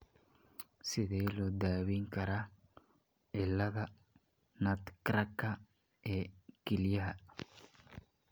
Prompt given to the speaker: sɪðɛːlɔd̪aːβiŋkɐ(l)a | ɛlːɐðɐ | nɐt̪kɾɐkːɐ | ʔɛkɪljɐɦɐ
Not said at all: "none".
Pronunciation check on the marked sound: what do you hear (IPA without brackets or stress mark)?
ɾ